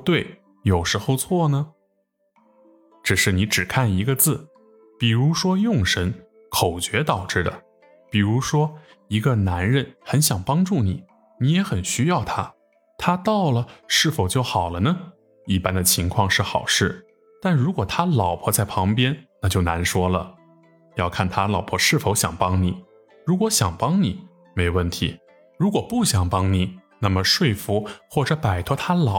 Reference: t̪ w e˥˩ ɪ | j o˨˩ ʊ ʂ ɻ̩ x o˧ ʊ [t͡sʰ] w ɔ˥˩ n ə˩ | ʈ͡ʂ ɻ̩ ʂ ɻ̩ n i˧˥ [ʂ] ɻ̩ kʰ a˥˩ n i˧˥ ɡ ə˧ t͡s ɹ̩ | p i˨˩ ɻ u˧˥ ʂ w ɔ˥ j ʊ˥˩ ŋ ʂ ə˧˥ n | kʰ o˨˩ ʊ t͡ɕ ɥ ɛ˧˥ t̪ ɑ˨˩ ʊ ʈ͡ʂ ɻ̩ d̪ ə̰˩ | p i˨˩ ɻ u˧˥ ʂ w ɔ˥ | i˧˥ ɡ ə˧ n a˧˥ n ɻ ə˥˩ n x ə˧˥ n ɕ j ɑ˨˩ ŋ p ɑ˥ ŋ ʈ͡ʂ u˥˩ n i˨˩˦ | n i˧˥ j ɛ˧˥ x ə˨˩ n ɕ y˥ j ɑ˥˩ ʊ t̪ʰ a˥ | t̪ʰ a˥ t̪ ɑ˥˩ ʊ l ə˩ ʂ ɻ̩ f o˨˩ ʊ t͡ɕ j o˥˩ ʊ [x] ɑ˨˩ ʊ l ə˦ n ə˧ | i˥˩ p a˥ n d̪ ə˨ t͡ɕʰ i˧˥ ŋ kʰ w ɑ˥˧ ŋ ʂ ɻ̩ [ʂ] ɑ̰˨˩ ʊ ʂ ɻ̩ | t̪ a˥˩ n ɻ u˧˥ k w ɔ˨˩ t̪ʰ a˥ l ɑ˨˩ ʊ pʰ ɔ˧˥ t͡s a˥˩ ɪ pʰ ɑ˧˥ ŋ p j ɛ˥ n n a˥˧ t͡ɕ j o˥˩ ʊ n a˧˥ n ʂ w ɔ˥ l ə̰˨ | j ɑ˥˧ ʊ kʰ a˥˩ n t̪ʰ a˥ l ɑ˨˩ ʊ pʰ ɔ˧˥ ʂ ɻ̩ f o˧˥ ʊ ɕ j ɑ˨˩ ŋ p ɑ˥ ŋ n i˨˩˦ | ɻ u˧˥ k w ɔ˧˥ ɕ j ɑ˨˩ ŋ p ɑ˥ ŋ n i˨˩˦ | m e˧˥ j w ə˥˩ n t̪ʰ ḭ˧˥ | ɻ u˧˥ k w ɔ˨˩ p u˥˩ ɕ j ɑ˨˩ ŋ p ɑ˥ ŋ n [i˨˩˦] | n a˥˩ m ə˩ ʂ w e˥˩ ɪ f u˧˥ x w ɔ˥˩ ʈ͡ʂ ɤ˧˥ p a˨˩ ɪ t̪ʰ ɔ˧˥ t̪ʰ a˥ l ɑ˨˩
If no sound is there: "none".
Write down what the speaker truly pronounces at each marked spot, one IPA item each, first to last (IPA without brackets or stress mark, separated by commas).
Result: t͡sʰ, ʈ͡ʂ, x, x, i˨˩˦